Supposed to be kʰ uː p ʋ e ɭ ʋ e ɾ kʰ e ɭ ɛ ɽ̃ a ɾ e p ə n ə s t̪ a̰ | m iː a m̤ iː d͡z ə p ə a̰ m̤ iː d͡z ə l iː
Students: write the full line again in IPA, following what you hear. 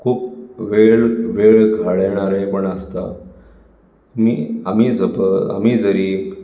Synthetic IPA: kʰ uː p ʋ e ɭ ʋ e ɭ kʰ a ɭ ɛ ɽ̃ a ɾ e p ə ɳ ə s t̪ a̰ | m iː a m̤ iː d͡z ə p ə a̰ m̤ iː d͡z ə ɾ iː